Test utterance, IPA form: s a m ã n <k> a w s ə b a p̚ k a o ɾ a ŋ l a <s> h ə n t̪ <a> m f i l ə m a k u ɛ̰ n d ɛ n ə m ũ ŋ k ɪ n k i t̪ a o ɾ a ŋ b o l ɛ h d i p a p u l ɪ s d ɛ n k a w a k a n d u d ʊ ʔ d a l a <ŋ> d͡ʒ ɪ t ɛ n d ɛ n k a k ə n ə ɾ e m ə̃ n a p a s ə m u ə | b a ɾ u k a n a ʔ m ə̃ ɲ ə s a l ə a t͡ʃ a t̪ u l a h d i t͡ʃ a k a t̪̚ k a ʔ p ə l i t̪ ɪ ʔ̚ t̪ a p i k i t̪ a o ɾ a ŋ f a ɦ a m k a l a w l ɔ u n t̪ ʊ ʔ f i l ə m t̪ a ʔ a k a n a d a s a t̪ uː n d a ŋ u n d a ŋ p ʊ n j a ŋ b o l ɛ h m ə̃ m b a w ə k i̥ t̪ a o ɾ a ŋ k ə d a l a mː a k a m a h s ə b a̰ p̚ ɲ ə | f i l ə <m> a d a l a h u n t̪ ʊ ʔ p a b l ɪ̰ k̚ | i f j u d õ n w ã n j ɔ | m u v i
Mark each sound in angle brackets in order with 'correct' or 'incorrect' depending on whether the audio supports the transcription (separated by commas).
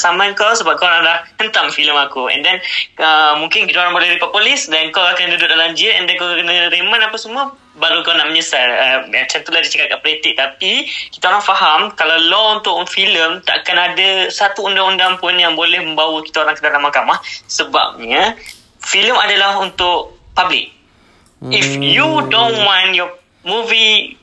correct, incorrect, correct, incorrect, correct